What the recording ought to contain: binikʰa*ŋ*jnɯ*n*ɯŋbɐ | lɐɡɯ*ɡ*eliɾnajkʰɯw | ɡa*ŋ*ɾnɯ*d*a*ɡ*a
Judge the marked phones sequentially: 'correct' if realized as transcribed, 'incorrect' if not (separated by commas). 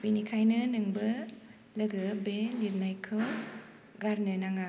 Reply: incorrect, correct, incorrect, incorrect, incorrect, incorrect